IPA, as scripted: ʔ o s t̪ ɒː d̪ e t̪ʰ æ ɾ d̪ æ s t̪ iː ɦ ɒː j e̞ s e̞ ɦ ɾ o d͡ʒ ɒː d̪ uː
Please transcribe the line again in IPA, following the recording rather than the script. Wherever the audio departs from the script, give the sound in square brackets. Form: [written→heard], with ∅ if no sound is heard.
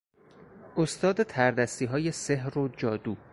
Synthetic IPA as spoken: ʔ o s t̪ ɒː d̪ e t̪ʰ æ ɾ d̪ æ s t̪ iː ɦ ɒː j e̞ s e̞ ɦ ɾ o d͡ʒ ɒː d̪ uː